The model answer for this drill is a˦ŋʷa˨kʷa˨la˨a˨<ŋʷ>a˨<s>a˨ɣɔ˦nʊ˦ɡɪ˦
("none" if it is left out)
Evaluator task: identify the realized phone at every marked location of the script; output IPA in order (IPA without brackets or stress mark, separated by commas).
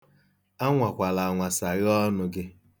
ŋʷ, s